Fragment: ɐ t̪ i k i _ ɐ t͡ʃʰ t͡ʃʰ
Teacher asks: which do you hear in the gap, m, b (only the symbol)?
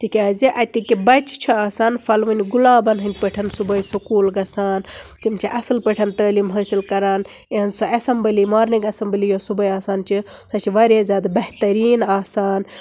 b